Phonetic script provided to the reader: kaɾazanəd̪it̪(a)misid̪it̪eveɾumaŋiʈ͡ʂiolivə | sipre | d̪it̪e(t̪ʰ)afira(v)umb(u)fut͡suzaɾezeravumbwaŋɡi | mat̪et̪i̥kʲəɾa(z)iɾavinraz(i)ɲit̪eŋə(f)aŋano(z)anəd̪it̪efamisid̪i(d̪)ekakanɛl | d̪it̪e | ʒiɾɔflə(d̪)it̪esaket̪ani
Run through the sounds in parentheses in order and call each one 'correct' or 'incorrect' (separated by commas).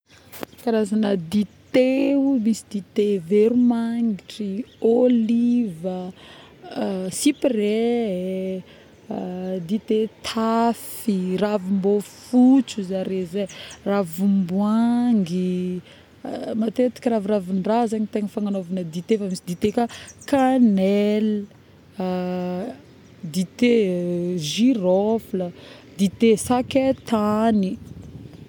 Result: incorrect, correct, correct, incorrect, incorrect, incorrect, correct, incorrect, incorrect, correct